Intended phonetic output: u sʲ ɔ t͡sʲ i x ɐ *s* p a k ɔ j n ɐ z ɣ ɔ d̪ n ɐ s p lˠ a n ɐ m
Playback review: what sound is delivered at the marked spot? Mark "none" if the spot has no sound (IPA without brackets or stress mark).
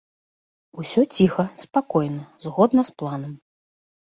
s